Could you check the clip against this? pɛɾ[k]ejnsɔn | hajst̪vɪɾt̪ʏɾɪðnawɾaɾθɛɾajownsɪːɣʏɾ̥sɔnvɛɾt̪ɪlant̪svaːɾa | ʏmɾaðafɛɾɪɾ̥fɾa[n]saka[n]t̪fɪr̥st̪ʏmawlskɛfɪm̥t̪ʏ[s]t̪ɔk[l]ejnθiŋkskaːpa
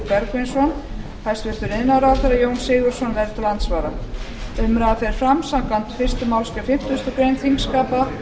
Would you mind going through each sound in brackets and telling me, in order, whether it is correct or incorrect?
correct, incorrect: m, correct, correct, incorrect: ɾ

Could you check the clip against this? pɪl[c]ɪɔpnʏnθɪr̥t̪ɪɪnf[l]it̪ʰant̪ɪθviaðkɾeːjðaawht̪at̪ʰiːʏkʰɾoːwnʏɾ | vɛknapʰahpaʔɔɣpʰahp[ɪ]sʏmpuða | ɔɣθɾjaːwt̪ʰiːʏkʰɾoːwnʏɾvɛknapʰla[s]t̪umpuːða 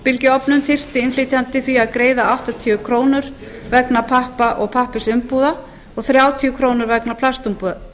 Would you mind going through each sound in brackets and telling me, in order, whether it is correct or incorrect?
correct, correct, correct, correct

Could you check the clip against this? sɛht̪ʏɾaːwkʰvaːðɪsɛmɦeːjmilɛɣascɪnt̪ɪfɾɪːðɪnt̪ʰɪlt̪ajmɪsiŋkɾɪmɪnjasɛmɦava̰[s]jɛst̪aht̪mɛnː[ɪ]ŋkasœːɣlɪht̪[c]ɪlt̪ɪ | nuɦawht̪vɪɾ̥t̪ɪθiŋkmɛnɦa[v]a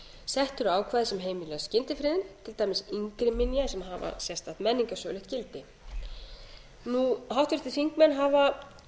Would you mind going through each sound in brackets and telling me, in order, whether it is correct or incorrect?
correct, incorrect: i, correct, correct

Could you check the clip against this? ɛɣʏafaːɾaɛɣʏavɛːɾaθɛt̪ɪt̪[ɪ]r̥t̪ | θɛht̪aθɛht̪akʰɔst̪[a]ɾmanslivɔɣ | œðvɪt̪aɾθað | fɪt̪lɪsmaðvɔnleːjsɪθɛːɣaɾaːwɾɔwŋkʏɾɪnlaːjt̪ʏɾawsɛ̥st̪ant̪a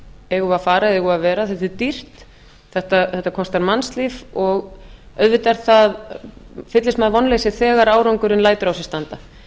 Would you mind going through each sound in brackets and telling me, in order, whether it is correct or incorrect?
incorrect: i, correct

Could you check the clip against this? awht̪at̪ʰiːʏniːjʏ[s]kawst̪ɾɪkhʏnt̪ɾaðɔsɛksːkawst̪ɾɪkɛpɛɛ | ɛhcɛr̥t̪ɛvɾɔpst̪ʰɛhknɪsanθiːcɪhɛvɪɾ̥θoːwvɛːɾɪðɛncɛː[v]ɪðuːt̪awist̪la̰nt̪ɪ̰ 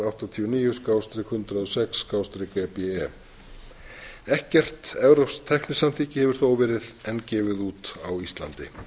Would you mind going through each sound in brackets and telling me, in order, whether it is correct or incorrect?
correct, correct

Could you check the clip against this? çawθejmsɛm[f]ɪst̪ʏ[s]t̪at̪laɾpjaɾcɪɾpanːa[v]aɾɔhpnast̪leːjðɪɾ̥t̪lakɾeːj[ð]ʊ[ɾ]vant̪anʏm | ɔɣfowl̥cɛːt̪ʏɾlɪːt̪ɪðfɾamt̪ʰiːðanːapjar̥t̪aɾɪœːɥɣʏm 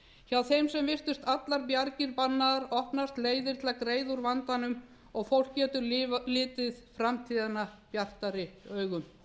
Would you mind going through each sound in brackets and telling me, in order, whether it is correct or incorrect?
incorrect: v, correct, incorrect: ð, correct, correct

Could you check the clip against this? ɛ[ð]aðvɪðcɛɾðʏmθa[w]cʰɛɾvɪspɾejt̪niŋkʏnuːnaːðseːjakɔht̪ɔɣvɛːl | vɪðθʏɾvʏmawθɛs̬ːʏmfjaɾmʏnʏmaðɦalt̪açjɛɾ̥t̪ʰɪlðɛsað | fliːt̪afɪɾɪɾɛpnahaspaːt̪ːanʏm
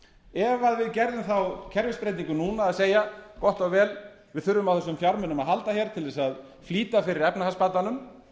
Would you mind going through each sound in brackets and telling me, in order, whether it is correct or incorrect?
incorrect: v, correct

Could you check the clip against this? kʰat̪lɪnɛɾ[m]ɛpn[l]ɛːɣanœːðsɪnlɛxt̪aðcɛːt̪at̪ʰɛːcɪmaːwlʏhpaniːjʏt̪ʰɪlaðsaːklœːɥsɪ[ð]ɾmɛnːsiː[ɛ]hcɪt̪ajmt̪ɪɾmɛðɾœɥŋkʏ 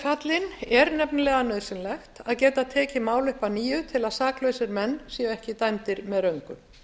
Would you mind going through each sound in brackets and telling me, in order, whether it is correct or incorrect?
incorrect: n, correct, incorrect: none, correct

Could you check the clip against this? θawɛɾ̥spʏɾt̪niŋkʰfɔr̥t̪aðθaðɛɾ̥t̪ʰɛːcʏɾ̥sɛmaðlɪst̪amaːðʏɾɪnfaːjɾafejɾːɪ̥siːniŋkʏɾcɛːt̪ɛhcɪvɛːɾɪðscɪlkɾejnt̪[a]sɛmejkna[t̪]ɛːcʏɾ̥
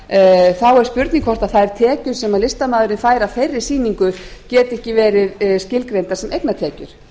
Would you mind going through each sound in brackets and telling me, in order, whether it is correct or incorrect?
correct, incorrect: t̪ʰ

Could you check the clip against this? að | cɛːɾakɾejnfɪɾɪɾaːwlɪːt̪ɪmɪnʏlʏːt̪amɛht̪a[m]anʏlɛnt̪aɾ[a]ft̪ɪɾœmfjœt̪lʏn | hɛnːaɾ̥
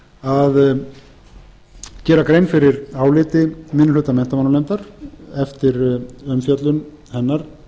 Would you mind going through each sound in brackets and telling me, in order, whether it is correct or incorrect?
correct, incorrect: ɛ

